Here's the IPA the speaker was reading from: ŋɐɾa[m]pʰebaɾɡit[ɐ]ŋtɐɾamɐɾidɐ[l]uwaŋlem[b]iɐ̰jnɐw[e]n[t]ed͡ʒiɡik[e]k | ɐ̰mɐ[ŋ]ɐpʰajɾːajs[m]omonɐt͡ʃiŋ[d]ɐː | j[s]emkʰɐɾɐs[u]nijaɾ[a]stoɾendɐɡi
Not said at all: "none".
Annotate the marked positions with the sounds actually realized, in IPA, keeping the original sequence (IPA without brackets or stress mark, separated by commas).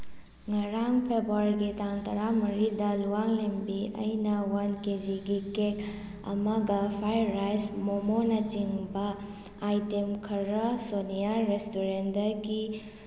ŋ, a, l, b, a, k, e, ɡ, m, b, t, o, e